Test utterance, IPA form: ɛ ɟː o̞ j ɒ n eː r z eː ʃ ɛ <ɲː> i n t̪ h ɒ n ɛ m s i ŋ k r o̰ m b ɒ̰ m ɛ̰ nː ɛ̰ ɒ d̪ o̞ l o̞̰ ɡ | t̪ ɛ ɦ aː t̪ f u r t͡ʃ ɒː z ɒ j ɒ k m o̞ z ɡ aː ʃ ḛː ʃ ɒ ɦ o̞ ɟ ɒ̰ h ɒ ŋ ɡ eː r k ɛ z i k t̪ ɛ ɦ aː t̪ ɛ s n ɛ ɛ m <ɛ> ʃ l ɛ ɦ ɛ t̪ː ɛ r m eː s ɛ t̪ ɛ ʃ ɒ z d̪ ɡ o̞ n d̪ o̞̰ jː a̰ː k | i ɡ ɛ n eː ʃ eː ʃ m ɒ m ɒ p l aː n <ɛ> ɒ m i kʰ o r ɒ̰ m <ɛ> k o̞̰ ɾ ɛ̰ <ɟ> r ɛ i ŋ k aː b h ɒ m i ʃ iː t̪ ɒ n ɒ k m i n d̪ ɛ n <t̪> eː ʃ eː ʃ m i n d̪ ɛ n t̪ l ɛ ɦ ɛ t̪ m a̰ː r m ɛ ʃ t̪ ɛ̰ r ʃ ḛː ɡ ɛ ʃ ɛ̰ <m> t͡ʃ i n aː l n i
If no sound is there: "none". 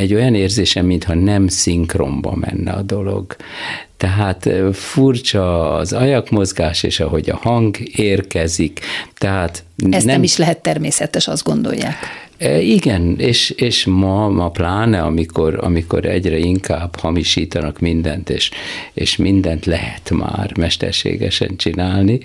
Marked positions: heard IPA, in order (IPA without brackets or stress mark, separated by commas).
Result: mː, i, ɛ, i, ɟ, t̪, n